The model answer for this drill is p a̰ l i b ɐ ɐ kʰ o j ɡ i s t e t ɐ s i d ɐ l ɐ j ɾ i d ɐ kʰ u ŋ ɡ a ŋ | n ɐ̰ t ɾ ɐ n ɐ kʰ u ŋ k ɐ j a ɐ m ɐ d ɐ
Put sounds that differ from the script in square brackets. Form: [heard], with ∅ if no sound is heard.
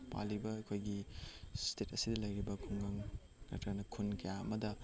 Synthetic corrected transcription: p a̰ l i b ɐ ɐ kʰ o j ɡ i s t e t ɐ s i d ɐ l ɐ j ɾ i [b] ɐ kʰ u ŋ ɡ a ŋ | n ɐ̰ t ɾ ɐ n ɐ kʰ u [n] k ɐ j a ɐ m ɐ d ɐ